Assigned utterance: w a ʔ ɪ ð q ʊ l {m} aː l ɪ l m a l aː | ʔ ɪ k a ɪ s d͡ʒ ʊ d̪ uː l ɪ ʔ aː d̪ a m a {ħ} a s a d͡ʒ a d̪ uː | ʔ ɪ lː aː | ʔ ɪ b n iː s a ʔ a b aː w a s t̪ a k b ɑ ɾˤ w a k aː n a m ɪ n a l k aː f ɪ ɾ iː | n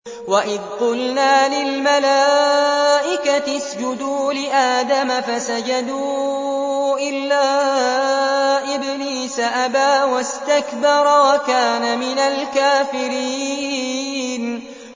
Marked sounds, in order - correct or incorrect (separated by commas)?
incorrect, incorrect